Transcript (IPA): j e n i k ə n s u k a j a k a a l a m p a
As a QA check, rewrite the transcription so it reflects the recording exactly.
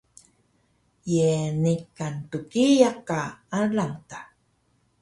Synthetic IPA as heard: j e n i k a n t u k i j a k a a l a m t a

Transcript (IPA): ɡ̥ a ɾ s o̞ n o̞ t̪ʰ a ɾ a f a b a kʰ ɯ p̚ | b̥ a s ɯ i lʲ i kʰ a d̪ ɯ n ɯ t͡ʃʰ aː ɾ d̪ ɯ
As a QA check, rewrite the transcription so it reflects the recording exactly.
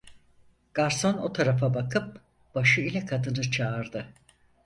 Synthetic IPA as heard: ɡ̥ a ɾ s o̞ n o̞ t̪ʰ a ɾ a f a b a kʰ ɯ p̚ | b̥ a ʃ ɯ i lʲ ɛ kʰ a d̪ ɯ n ɯ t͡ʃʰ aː ɾ d̪ ɯ

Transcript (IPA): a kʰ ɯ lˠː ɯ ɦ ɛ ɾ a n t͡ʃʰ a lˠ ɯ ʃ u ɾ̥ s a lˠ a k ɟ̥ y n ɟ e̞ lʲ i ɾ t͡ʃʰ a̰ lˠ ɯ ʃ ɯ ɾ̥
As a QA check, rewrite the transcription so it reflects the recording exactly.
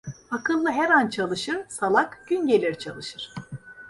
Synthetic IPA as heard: a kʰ ɯ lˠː ɯ ɦ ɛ ɾ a n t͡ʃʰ a lˠ ɯ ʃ ɯ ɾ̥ s a lˠ a k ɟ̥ y n ɟ e̞ lʲ i ɾ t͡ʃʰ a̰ lˠ ɯ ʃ ɯ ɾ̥

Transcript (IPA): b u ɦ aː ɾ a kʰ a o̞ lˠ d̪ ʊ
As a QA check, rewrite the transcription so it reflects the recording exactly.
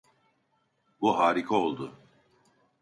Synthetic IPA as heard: b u ɦ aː ɾ i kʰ a o̞ lˠ d̪ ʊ

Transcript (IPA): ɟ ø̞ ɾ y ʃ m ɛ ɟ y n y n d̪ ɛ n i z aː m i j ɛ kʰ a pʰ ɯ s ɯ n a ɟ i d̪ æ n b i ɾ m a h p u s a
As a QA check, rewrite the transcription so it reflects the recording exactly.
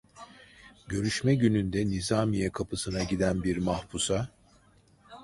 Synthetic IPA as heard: ɟ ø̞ ɾ y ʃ m ɛ ɟ y n y n d̪ ɛ n i z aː m i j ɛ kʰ a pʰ ɯ s ɯ n a ɟ i d̪ æ n b i ɾ m a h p u s a

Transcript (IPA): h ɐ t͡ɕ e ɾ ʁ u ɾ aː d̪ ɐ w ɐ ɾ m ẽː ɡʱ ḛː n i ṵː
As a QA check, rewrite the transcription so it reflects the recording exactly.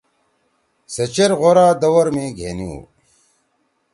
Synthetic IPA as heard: s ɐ t͡ɕ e ɾ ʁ o ɾ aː d̪ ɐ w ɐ ɾ m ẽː ɡʱ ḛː n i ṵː

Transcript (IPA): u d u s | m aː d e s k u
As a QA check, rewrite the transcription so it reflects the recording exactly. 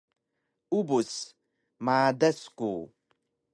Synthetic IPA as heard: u b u s | m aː d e s k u

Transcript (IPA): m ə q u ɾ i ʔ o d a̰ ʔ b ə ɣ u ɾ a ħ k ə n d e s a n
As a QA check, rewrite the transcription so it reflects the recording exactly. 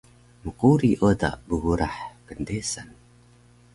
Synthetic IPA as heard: m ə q u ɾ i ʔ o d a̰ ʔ b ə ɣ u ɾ a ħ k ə n d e s a n

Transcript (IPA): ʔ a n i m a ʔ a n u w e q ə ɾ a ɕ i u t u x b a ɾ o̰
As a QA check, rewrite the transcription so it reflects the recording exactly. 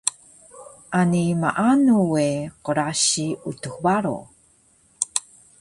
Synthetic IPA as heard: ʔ a n i m a ʔ a n u w e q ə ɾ a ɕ i u t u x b a ɾ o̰

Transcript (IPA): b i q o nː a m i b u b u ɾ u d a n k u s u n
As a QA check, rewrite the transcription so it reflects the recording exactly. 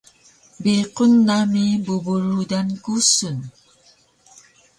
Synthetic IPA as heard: b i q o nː a m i b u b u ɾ u d a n k u s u n

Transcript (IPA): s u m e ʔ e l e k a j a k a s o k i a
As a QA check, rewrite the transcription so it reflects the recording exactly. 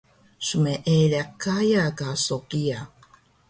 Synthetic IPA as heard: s u m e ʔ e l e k a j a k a s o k i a

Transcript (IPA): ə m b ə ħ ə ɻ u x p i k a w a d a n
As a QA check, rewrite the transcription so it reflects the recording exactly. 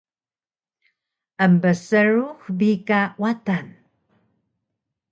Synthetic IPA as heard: ə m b ə s ə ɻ u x b i k a w a t a n

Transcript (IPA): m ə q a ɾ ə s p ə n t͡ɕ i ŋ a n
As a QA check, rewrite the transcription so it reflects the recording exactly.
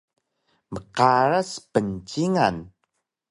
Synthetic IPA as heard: m ə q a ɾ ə s p ə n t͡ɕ i ŋ a n

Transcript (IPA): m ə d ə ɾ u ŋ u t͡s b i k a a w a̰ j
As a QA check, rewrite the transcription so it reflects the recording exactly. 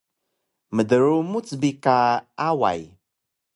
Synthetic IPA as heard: m ə d ə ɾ u m u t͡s b i k a a w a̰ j

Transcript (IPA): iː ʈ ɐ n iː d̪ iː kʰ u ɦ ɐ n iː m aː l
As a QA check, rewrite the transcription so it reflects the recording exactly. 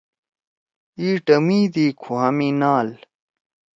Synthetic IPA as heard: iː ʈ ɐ m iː d̪ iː kʰ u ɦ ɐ m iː n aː l

